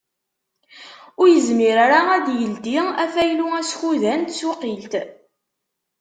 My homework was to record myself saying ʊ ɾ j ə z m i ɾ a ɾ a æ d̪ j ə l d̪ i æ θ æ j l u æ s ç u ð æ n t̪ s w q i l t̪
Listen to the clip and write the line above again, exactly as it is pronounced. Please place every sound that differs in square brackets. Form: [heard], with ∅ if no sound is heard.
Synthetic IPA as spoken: ʊ ɾ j ə z m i ɾ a ɾ a æ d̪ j ə l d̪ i æ [f] æ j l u æ s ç u ð æ n t̪ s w q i l t̪